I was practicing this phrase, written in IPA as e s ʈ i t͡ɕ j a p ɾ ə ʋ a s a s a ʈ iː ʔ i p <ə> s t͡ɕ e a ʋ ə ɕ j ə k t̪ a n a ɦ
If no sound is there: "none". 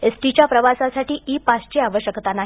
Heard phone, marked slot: a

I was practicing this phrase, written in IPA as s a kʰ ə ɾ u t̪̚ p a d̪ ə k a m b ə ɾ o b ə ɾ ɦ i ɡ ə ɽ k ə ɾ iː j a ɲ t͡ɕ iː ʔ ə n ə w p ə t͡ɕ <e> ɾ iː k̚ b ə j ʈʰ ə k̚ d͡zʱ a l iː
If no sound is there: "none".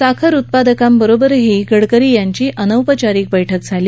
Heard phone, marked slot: a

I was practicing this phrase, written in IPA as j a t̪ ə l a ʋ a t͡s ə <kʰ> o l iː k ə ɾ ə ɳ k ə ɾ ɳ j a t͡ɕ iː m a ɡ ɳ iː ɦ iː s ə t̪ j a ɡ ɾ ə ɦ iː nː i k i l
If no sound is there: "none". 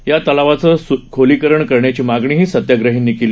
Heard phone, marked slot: kʰ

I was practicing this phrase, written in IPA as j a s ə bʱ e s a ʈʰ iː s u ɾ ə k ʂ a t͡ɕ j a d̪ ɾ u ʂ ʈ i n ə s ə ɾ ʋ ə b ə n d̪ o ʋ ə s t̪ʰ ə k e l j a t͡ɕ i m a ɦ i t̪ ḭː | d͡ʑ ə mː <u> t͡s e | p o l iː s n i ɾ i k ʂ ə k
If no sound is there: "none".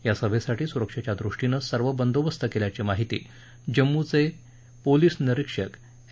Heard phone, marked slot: u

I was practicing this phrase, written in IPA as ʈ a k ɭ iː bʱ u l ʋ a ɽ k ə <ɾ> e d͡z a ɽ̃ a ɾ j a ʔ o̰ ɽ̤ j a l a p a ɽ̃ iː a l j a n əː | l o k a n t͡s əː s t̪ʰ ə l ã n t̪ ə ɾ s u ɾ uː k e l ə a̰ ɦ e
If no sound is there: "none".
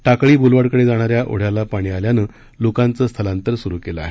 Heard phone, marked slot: ɽ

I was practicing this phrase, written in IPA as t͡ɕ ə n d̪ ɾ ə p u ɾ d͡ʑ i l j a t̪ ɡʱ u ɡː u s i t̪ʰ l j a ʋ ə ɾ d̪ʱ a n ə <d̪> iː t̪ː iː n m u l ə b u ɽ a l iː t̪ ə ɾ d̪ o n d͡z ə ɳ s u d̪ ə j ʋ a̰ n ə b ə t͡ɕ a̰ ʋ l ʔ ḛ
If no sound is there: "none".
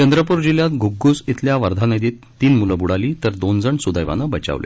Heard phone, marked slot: d̪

